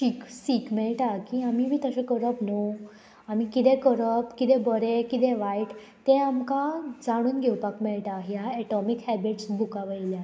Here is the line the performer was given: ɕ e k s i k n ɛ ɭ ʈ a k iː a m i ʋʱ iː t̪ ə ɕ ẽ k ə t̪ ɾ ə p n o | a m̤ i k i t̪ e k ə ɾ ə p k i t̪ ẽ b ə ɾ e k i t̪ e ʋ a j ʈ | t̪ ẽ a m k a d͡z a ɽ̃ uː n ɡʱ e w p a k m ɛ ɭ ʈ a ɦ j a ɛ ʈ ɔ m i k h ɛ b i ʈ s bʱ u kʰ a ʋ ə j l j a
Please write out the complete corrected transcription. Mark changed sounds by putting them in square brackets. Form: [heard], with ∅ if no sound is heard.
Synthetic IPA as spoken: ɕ [i] k s i k [m] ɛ ɭ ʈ a k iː a m i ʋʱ iː t̪ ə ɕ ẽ k ə [∅] ɾ ə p n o | a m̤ i k i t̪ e k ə ɾ ə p k i t̪ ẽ b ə ɾ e k i t̪ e ʋ a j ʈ | t̪ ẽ a m k a d͡z a ɽ̃ uː n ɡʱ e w p a k m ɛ ɭ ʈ a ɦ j a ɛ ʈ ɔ m i k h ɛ b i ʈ s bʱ u [k] a ʋ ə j l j a